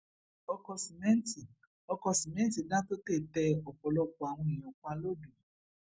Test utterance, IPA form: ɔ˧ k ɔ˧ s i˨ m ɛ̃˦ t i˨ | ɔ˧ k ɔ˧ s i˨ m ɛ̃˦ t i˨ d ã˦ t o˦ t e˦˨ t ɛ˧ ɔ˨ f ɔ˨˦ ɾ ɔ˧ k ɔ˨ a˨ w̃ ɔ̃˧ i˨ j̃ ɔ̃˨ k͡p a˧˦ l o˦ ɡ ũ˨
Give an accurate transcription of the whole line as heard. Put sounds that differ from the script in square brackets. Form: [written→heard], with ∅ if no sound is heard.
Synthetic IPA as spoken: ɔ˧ k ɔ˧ s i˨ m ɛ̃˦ t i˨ | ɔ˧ k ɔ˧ s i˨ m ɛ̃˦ t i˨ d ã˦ t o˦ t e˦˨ t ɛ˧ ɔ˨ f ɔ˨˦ [ɾ→l] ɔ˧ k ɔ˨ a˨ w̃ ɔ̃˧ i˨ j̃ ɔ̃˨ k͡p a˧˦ l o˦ [ɡ→d] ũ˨

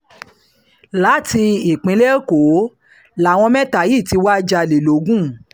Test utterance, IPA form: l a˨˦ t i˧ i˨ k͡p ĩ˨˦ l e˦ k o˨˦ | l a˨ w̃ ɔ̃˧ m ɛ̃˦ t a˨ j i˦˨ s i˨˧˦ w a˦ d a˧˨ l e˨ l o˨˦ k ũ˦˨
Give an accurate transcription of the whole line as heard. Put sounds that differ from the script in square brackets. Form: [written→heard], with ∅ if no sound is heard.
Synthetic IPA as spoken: l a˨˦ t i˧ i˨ k͡p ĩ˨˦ l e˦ k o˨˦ | l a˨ w̃ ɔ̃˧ m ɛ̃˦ t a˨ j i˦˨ [s→t] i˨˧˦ w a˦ [d→d͡ʒ] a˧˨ l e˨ l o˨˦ [k→ɡ] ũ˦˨

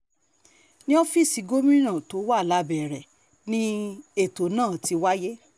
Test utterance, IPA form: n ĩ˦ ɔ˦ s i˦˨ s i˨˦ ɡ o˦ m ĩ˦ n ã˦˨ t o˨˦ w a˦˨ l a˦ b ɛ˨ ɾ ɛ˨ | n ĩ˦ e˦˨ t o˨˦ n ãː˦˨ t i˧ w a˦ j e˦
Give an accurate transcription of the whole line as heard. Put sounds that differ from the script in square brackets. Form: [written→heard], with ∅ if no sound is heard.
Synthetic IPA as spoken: n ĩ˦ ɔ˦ [s→f] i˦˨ s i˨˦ ɡ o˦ m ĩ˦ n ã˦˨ t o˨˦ w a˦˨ l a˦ b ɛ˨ ɾ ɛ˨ | n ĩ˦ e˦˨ t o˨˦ n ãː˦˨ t i˧ w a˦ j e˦

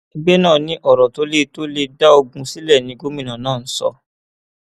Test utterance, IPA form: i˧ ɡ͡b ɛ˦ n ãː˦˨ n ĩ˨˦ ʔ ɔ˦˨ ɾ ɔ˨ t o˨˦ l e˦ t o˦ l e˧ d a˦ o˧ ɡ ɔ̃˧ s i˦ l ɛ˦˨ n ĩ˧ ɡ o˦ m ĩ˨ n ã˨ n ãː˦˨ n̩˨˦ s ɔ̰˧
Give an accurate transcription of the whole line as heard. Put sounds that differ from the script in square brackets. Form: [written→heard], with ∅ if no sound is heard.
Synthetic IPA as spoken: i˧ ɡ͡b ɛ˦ n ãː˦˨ n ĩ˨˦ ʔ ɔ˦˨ ɾ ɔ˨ t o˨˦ l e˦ t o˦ l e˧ d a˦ o˧ ɡ [ɔ̃˧→ũ˧] s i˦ l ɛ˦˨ n ĩ˧ ɡ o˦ m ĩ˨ n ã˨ n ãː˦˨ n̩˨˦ s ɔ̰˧

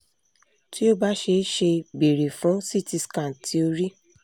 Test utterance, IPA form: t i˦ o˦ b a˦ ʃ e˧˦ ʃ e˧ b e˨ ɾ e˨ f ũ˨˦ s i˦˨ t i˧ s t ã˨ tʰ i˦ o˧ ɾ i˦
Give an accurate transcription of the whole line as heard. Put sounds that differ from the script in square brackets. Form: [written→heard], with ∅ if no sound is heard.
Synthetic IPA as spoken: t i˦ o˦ b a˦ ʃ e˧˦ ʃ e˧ b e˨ ɾ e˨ f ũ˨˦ s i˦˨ t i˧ s [t→k] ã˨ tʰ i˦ o˧ ɾ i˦

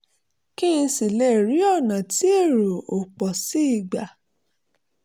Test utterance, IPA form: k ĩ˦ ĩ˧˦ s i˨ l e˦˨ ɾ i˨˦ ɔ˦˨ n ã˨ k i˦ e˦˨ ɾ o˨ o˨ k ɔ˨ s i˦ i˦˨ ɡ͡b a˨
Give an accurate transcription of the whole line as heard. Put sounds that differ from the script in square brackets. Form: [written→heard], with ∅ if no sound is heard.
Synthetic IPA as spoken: k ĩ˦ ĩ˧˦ s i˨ l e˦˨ ɾ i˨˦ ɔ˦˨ n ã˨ [k→t] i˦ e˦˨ ɾ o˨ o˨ [k→k͡p] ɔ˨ s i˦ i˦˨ ɡ͡b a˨

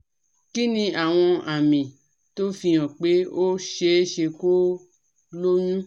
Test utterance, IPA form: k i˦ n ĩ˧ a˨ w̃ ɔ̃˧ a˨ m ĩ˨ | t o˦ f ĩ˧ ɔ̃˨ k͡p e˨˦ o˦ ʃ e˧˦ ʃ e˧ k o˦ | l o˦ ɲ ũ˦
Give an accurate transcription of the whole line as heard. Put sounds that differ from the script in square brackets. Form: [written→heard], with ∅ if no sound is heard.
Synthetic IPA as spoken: k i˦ n ĩ˧ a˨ w̃ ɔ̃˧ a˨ m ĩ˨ | t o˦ f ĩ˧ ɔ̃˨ k͡p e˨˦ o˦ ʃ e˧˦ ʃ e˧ k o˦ | l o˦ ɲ ũ˦

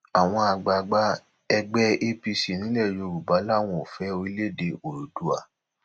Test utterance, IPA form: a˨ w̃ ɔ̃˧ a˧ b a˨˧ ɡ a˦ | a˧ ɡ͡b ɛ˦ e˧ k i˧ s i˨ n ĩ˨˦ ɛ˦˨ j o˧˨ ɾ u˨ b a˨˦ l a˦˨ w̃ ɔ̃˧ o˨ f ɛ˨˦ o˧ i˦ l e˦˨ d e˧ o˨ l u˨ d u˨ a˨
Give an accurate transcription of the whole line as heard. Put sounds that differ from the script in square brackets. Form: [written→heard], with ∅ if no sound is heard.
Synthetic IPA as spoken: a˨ w̃ ɔ̃˧ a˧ [b→ɡ͡b] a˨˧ [ɡ→ɡ͡b] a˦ | [a˧→ɛ˧] ɡ͡b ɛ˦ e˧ [k→p] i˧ s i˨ n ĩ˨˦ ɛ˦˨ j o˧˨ ɾ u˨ b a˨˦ l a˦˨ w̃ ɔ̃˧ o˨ f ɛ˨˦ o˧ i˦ l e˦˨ d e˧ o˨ [l→ɾ] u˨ d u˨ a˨

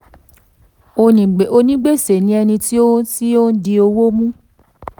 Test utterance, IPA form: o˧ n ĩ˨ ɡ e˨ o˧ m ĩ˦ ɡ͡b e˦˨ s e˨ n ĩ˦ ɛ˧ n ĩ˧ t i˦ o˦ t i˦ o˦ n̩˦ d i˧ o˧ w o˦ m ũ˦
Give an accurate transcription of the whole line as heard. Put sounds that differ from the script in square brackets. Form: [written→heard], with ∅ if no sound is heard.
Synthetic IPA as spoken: o˧ n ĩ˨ [ɡ→ɡ͡b] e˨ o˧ [m→n] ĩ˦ ɡ͡b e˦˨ s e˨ n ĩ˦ ɛ˧ n ĩ˧ t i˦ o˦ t i˦ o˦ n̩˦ d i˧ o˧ w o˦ m ũ˦

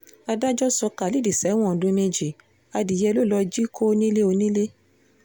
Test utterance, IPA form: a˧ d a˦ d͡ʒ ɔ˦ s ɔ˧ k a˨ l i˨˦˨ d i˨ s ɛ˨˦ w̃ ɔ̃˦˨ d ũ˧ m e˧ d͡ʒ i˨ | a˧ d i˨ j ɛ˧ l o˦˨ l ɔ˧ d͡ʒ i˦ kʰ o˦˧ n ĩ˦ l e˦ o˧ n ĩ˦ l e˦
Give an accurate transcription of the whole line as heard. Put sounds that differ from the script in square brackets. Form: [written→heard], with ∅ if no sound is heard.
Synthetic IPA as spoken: a˧ d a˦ d͡ʒ ɔ˦ s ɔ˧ k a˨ l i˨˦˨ d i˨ s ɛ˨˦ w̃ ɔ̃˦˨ d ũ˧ m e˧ d͡ʒ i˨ | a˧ d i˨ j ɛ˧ l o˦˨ l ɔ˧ d͡ʒ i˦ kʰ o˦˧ n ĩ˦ l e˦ o˧ n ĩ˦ l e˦

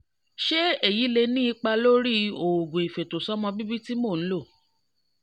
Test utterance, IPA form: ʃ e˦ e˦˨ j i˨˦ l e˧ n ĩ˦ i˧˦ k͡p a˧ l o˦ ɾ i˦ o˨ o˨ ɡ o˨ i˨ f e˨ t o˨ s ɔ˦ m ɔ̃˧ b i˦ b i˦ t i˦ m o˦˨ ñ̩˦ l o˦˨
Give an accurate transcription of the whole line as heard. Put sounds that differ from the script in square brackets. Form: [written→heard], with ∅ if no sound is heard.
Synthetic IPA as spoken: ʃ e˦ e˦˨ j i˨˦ l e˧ n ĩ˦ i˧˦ k͡p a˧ l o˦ ɾ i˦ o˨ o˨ ɡ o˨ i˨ f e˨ t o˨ s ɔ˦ m ɔ̃˧ b i˦ b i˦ t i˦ m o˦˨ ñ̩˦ l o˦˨

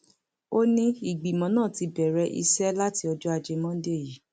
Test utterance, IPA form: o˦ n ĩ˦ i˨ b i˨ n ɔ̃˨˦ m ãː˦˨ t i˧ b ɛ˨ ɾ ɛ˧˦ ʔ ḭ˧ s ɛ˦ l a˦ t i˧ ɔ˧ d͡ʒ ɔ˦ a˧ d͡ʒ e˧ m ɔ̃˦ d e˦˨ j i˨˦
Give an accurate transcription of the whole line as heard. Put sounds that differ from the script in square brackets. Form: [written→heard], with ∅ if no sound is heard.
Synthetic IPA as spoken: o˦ n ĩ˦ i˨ [b→ɡ͡b] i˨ [n→m] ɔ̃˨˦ [m→n] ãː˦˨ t i˧ b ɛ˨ ɾ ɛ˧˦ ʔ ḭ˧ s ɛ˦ l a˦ t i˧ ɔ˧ d͡ʒ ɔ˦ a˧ d͡ʒ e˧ m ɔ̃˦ d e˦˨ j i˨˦

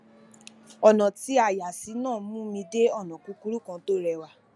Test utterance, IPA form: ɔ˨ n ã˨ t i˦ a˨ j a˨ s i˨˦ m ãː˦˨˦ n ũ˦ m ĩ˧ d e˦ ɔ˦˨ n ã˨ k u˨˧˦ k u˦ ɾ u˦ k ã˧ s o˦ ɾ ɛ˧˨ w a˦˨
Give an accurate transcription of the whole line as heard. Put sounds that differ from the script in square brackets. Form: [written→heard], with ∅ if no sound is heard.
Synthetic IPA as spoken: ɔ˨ n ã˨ t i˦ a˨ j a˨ s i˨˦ [m→n] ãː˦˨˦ [n→m] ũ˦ m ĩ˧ d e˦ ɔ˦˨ n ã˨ k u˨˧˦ k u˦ ɾ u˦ k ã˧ [s→t] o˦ ɾ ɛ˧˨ w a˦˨

